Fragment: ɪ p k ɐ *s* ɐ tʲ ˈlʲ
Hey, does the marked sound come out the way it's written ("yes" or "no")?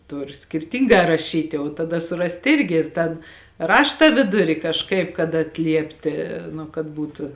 no